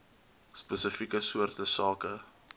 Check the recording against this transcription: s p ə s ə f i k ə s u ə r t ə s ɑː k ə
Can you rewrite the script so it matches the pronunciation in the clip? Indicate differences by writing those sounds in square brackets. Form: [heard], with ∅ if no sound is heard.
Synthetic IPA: s p ə s ə f i k ə s u ə r t ə s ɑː k ə